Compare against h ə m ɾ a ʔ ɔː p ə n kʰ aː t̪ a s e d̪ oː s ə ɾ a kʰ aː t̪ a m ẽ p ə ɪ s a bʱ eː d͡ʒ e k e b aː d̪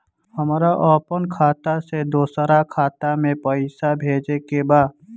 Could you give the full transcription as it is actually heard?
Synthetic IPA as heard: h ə m ɾ a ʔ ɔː p ə n kʰ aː t̪ a s e d̪ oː s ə ɾ a kʰ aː t̪ a m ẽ p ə ɪ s a bʱ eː d͡ʒ e k e b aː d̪